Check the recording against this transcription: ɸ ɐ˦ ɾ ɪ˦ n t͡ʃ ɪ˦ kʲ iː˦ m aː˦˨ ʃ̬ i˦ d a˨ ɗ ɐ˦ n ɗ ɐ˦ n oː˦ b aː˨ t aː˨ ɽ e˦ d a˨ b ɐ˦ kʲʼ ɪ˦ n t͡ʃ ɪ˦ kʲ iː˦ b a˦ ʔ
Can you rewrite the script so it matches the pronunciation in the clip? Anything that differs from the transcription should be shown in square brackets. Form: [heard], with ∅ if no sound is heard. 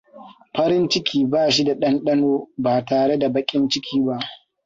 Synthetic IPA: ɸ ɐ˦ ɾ ɪ˦ n t͡ʃ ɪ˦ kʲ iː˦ [b] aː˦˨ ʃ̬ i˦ d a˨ ɗ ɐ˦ n ɗ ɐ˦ n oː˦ b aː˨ t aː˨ ɽ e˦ d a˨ b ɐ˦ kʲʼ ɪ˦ n t͡ʃ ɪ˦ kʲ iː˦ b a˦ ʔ